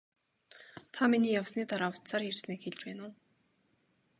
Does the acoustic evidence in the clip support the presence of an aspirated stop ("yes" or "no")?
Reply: yes